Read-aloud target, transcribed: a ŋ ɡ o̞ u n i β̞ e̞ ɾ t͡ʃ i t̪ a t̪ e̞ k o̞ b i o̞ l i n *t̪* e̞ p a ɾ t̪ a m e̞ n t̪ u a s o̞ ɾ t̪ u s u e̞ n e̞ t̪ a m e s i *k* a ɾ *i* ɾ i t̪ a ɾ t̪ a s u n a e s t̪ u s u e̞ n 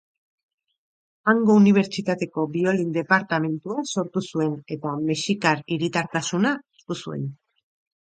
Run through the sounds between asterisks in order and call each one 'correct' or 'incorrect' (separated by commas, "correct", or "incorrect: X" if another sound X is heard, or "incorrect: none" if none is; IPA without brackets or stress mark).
incorrect: d̪, correct, correct